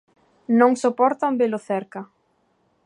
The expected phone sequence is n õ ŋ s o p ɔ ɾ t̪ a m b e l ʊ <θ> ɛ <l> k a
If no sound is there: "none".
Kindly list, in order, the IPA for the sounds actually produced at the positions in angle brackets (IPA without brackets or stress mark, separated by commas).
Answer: θ, ɾ